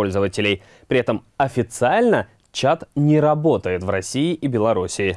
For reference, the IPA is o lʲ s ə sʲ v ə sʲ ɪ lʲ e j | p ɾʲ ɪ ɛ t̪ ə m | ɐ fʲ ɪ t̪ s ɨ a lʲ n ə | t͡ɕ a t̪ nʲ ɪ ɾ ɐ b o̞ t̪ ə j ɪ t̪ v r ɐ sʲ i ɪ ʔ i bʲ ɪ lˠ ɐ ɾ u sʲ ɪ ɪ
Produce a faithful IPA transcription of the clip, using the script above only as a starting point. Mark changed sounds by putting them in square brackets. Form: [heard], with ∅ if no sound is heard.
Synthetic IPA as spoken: o lʲ [z] ə [∅] v ə [tʲ] ɪ lʲ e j | p ɾʲ ɪ ɛ t̪ ə m | ɐ fʲ ɪ t̪ s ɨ a lʲ n ə | t͡ɕ a t̪ nʲ ɪ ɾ ɐ b o̞ t̪ ə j ɪ t̪ v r ɐ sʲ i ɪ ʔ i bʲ ɪ lˠ ɐ ɾ u sʲ ɪ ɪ